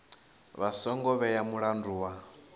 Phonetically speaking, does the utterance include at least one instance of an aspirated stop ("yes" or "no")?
no